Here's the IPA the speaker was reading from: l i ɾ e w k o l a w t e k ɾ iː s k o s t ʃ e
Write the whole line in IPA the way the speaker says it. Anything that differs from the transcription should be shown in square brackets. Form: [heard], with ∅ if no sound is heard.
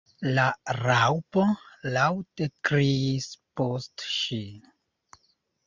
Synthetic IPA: l [a] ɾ [a] w [p] o l a w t e k ɾ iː s [p] o s t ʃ [i]